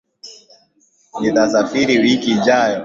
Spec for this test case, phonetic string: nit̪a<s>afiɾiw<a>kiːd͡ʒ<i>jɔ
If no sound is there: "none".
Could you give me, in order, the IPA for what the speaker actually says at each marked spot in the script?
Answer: s, i, a

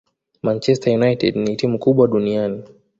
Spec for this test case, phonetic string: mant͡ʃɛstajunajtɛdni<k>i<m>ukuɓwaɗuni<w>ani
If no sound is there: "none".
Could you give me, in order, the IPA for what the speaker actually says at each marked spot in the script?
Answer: t, m, none

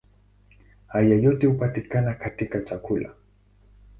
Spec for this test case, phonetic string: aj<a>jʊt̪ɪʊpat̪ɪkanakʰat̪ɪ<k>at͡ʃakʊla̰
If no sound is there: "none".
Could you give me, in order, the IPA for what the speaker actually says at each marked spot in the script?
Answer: a, k

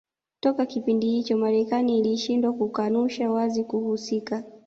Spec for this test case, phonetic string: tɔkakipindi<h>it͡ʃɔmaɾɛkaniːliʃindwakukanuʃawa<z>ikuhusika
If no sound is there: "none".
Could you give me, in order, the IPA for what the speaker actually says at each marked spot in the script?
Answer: h, z

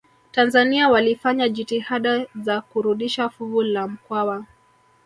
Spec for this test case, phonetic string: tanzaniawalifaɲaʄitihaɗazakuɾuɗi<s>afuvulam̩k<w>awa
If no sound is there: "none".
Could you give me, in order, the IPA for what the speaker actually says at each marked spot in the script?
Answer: ʃ, w

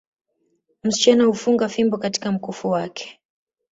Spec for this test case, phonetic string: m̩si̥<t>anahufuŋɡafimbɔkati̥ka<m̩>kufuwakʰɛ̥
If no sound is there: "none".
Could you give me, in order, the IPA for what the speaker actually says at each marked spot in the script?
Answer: t͡ʃ, m̩

